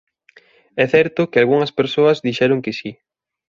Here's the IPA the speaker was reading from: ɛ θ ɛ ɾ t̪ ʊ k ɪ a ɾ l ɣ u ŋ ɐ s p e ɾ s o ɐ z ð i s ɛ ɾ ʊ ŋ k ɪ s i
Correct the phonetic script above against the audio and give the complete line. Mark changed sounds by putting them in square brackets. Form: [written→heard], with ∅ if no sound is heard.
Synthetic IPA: ɛ θ ɛ ɾ t̪ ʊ k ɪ a [ɾ→∅] l ɣ u ŋ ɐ s p e ɾ s o ɐ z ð i [s→ʃ] ɛ ɾ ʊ ŋ k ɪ s i